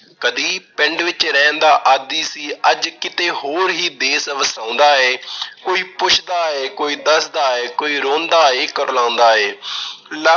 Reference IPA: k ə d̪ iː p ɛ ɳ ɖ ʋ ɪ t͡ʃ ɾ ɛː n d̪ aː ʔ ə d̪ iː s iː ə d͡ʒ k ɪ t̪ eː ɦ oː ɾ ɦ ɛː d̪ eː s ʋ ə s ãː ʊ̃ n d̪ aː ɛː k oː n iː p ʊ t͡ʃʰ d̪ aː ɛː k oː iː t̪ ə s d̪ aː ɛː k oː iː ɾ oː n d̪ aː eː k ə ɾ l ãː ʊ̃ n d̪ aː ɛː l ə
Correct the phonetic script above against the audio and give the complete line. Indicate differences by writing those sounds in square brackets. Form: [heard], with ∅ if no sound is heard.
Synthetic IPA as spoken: k ə d̪ iː p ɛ ɳ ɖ ʋ ɪ t͡ʃ ɾ ɛː n d̪ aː ʔ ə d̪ iː s iː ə d͡ʒ k ɪ t̪ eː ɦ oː ɾ ɦ [iː] d̪ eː s ʋ ə s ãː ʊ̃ n d̪ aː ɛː k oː [∅] iː p ʊ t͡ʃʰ d̪ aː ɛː k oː iː [d̪] ə s d̪ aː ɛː k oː iː ɾ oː n d̪ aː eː k ə ɾ l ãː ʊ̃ n d̪ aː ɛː l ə